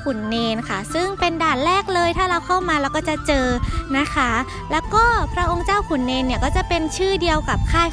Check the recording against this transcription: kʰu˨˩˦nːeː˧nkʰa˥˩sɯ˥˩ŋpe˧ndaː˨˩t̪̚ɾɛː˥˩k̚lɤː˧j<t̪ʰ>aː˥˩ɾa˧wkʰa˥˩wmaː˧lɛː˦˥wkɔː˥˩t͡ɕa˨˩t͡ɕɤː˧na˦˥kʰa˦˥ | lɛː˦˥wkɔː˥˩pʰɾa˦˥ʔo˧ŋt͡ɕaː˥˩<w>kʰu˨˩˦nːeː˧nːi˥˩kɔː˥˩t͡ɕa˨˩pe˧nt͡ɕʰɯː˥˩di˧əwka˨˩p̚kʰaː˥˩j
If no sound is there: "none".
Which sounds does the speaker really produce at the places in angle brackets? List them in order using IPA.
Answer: t̪ʰ, w

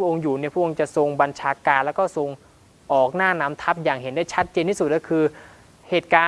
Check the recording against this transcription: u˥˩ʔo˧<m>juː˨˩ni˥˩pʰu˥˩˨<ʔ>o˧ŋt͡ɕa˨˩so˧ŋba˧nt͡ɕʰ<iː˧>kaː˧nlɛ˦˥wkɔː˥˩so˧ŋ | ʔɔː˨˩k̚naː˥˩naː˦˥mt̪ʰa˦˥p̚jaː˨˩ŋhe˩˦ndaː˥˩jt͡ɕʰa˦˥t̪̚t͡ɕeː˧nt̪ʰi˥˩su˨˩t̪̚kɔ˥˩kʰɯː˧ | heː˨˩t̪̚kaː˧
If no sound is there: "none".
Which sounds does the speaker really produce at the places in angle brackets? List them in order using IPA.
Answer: ŋ, ʔ, aː˧

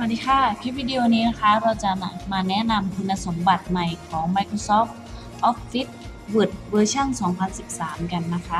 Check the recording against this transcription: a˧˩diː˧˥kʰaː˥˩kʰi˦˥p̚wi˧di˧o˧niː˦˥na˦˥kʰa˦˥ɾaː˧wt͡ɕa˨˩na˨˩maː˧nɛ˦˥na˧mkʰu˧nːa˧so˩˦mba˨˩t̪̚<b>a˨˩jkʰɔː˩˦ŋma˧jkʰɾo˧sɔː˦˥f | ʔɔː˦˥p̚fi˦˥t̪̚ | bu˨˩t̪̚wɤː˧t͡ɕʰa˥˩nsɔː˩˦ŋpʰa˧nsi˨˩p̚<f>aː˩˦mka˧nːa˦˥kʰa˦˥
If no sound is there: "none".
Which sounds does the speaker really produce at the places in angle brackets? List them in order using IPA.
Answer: m, s

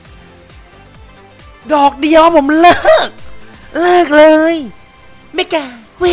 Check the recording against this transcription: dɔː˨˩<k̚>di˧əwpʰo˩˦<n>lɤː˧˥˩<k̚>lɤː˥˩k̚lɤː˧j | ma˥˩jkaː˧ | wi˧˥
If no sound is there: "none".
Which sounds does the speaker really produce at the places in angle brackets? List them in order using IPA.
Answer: k̚, m, k̚

